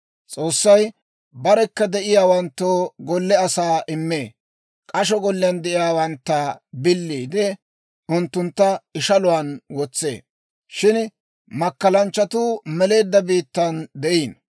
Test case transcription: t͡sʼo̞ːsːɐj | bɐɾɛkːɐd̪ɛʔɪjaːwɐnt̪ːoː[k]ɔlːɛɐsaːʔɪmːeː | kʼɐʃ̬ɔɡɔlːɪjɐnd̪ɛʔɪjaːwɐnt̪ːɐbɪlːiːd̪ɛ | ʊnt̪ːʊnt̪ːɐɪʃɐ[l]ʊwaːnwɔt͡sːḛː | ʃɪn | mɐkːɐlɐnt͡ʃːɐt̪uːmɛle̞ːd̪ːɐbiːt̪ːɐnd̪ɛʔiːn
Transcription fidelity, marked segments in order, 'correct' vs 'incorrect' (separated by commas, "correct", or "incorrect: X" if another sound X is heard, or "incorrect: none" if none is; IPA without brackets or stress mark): incorrect: ɡ, correct